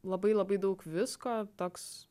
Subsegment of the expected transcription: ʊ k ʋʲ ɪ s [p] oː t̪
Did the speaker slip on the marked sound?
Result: yes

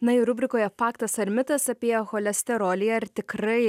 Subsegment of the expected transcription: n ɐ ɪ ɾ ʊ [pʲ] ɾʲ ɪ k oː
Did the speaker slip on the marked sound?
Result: yes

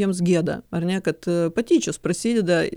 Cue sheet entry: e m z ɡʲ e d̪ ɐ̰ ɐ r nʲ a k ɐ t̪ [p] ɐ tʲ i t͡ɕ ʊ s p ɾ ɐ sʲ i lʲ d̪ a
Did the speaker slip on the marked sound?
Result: no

